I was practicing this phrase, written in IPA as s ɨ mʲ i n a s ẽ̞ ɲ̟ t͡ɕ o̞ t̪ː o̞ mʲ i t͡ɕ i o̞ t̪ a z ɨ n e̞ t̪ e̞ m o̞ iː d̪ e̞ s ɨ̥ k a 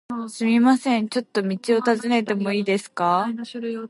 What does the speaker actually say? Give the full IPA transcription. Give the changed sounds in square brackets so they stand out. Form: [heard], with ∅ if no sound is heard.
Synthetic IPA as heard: s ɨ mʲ i [m] a s ẽ̞ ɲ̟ t͡ɕ o̞ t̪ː o̞ mʲ i t͡ɕ i o̞ t̪ a z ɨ n e̞ t̪ e̞ m o̞ iː d̪ e̞ s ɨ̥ k a